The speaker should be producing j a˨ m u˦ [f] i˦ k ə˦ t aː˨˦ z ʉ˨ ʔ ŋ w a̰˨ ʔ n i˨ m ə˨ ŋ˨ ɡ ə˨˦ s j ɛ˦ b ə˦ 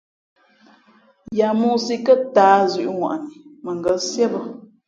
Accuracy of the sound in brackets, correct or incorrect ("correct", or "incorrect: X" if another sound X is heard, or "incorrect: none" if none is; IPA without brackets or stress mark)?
incorrect: s